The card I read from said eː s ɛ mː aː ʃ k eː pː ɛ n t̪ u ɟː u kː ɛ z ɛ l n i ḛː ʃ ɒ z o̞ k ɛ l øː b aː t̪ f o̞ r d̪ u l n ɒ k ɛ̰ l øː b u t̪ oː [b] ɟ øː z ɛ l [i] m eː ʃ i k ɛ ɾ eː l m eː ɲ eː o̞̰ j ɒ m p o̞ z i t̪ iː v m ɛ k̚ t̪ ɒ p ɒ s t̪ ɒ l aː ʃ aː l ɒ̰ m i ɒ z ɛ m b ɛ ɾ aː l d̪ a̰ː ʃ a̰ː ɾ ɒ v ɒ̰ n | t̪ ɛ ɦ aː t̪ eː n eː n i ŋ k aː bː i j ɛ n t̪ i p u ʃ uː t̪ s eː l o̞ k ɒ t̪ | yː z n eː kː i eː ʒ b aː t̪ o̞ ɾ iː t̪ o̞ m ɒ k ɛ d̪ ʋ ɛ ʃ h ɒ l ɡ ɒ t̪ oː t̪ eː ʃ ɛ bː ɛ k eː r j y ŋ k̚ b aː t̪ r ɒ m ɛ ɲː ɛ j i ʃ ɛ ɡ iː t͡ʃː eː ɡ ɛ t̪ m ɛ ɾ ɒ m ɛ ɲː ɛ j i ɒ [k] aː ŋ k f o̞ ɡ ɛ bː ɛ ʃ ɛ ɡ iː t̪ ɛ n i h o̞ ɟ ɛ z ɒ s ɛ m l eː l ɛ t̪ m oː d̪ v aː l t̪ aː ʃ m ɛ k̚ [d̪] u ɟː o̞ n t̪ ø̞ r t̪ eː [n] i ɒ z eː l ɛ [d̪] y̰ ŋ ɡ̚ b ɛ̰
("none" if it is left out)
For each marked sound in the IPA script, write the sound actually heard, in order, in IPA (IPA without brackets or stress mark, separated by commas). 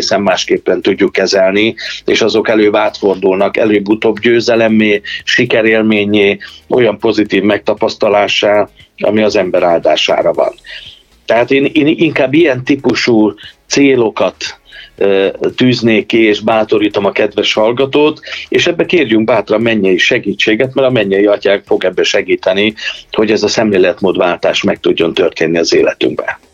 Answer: b, ɛ, c, t̪, nː, t̪